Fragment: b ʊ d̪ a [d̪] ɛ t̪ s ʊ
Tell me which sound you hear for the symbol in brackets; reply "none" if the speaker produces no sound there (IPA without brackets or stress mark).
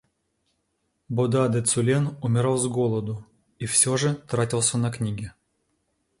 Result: d̪